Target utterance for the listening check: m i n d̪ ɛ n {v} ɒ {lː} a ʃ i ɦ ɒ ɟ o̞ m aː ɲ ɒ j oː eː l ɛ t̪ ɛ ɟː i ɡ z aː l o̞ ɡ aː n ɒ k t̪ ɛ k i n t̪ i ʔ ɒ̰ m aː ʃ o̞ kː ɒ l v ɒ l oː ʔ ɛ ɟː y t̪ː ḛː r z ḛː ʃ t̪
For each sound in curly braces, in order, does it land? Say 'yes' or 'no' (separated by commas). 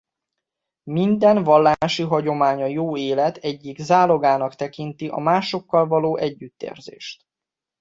yes, yes